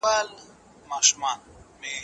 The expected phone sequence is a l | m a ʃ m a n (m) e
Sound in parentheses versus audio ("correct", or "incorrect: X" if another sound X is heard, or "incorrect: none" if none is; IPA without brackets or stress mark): correct